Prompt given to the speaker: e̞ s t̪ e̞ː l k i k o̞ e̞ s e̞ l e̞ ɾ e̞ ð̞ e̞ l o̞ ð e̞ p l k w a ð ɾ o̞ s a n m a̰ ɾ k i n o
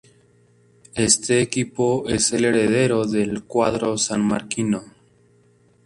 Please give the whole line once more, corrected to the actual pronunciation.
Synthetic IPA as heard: e̞ s t̪ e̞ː k i p o̞ e̞ s e̞ l e̞ ɾ e̞ ð̞ e̞ ɾ o̞ ð e̞ l k w a ð ɾ o̞ s a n m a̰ ɾ k i n o